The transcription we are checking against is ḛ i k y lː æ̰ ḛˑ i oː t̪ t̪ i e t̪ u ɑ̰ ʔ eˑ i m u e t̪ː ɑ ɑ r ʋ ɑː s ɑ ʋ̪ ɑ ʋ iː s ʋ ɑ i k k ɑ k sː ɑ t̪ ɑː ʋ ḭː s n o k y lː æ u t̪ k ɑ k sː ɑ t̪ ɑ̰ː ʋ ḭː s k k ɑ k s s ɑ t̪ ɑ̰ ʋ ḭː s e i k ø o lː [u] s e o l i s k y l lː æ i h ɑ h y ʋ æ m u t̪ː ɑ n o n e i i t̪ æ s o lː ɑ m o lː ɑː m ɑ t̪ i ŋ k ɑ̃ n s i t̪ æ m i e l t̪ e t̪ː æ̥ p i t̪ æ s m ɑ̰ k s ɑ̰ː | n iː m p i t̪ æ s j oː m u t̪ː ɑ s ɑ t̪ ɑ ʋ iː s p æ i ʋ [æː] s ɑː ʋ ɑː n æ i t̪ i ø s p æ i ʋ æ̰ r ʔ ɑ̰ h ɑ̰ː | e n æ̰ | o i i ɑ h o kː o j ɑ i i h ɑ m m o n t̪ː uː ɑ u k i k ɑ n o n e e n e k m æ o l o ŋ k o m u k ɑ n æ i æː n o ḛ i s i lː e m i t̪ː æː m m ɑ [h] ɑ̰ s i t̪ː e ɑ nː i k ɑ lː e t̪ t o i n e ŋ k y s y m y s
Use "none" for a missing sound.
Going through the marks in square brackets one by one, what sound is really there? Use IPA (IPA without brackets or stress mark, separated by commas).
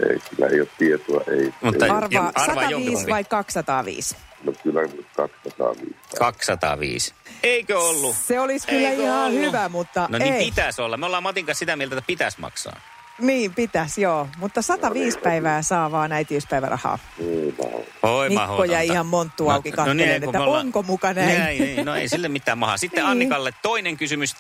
u, æː, h